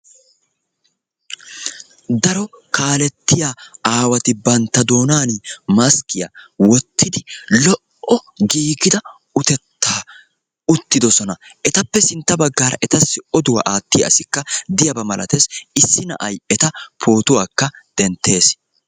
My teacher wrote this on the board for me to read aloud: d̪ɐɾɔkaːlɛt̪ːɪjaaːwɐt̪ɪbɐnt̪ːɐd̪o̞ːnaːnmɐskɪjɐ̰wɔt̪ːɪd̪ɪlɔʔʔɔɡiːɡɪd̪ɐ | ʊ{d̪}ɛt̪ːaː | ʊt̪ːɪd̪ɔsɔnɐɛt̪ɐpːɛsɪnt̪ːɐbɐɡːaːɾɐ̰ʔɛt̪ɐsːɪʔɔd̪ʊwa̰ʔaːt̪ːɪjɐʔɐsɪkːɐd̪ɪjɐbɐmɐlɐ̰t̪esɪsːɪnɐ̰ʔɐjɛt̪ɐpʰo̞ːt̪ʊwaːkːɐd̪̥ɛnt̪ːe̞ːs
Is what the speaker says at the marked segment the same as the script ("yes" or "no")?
no